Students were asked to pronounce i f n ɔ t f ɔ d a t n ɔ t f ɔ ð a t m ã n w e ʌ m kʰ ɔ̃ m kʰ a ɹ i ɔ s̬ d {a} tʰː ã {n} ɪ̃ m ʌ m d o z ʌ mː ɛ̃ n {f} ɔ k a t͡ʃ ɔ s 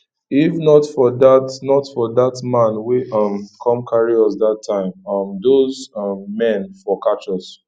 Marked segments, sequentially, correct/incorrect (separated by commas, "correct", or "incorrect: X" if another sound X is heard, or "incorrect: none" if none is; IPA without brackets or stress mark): correct, incorrect: none, correct